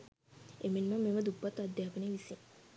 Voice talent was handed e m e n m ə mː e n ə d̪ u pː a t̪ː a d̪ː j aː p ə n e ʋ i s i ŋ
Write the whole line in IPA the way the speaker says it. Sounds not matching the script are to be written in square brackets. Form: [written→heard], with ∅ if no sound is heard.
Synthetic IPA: e m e n m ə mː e [n→m] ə d̪ u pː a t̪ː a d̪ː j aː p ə n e ʋ i s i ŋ